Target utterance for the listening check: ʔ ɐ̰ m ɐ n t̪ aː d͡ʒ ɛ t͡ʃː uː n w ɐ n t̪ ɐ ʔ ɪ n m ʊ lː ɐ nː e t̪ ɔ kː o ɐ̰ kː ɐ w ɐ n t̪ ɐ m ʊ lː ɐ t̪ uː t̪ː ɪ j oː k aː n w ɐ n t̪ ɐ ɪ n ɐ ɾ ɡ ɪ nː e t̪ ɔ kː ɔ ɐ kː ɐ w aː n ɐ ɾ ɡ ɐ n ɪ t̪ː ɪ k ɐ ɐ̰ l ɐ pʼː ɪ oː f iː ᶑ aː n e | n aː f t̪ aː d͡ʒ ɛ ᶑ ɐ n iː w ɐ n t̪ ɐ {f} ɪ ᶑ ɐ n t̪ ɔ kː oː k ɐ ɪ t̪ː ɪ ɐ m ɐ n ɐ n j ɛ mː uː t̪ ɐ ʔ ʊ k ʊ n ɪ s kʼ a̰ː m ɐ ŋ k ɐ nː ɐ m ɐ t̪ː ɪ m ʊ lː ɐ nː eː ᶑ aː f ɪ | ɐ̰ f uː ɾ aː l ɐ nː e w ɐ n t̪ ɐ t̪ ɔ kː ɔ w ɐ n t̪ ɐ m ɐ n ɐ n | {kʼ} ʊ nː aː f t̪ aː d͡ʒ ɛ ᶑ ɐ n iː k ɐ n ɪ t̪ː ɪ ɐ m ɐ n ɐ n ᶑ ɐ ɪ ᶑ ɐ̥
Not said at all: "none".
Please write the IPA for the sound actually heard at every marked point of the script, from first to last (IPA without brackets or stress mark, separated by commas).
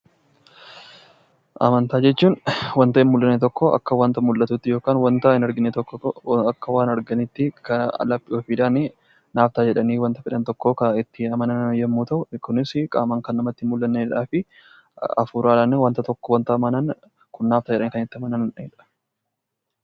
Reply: f, k